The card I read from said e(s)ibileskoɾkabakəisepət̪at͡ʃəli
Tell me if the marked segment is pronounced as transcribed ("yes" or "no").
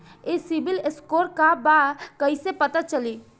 yes